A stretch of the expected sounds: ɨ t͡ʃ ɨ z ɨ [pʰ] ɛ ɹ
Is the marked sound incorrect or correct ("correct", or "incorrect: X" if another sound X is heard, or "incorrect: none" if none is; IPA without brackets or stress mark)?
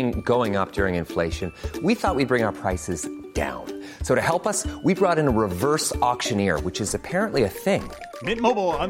correct